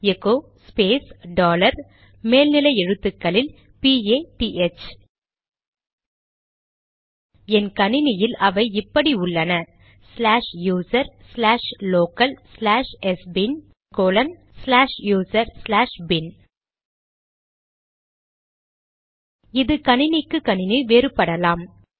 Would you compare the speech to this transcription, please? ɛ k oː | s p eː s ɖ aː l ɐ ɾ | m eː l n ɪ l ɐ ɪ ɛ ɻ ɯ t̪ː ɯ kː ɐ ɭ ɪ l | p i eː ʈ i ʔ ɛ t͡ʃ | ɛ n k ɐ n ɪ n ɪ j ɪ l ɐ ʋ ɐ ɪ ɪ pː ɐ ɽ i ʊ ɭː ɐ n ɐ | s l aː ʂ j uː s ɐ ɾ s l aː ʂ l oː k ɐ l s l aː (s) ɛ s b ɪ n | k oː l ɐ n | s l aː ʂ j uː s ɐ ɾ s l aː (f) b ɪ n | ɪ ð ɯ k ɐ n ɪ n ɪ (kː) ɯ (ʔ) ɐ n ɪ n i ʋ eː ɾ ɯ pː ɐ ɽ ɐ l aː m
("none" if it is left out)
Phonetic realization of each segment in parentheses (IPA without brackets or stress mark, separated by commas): ʂ, ʂ, kː, k